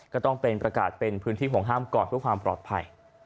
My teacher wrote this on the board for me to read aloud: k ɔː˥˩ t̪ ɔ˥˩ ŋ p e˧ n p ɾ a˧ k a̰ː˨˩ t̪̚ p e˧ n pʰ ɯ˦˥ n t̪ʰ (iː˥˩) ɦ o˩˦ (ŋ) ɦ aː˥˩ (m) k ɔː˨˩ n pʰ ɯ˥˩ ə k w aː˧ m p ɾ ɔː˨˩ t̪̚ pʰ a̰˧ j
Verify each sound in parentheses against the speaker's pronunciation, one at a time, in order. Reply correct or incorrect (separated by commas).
correct, correct, correct